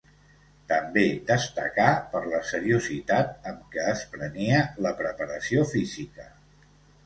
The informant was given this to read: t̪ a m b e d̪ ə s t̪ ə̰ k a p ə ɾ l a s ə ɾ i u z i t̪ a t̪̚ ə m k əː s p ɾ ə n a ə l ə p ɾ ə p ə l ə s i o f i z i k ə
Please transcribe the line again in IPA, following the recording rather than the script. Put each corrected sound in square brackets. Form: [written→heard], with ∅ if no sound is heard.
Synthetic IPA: t̪ [a→ə] m b e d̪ ə s t̪ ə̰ k a p ə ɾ l [a→ə] s ə ɾ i u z i t̪ a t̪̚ ə m k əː s p ɾ ə n [a→i] ə l ə p ɾ ə p ə [l→ɾ] ə s i o f i z i k ə